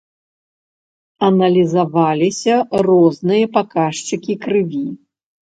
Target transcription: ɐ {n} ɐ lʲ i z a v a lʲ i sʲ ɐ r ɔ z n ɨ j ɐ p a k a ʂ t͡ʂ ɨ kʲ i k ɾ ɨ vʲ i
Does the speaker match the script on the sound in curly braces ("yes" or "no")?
yes